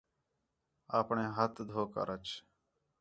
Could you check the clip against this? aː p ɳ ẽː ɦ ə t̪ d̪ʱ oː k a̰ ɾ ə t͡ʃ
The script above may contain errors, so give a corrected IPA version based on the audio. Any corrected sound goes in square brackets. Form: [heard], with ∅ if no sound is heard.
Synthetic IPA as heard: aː p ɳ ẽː ɦ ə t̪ d̪ʱ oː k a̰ ɾ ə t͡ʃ